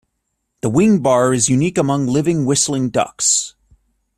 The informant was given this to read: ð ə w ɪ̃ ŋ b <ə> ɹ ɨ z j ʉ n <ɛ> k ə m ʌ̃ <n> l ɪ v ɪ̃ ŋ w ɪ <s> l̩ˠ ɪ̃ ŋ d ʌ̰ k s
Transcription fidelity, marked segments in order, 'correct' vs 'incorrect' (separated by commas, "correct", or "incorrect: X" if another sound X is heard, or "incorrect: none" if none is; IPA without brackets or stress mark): incorrect: ɑ, incorrect: i, incorrect: ŋ, correct